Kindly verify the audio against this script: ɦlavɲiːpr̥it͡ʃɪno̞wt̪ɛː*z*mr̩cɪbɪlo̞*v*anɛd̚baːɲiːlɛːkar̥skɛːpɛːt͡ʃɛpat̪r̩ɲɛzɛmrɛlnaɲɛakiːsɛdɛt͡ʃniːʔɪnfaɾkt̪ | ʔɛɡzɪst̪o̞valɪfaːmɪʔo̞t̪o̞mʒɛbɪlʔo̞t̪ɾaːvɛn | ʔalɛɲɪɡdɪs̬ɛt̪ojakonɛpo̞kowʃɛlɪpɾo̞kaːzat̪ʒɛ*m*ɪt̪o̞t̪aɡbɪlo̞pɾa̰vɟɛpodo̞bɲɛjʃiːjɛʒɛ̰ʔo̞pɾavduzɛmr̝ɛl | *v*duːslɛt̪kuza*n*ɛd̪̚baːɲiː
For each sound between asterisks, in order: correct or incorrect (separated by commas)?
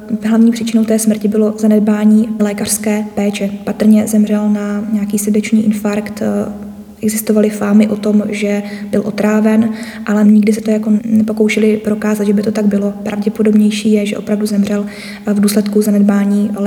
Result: incorrect, incorrect, incorrect, correct, correct